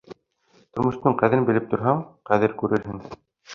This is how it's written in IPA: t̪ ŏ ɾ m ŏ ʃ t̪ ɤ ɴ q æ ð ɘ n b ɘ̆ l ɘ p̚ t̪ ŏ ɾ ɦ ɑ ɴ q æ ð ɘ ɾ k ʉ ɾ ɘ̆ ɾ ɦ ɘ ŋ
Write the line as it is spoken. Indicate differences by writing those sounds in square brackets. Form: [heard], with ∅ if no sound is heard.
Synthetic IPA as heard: t̪ ŏ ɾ m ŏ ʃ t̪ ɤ ɴ q æ ð ɘ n b ɘ̆ l ɘ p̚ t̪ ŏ ɾ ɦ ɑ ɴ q æ ð ɘ ɾ k ʉ ɾ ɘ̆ ɾ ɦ ɘ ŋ